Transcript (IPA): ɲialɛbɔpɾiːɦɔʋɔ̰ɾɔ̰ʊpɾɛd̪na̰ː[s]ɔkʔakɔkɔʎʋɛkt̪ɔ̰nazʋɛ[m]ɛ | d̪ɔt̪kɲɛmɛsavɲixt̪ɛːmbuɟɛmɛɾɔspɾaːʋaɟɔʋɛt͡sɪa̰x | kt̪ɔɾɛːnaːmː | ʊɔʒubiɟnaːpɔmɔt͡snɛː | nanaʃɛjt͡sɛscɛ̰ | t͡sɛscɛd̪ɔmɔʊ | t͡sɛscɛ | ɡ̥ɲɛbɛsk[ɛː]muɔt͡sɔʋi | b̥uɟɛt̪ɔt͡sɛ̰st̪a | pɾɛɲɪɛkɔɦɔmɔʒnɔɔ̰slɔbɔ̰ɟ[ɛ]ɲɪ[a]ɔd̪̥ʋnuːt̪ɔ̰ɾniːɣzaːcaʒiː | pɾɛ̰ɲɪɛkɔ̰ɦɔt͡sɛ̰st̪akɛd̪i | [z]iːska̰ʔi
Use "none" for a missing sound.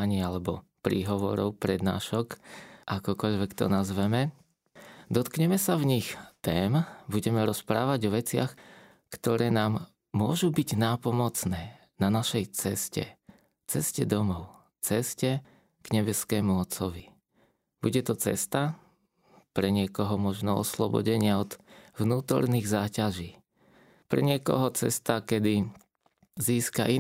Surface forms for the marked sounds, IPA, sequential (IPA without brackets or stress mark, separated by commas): ʃ, m, ɛː, ɛ, a, z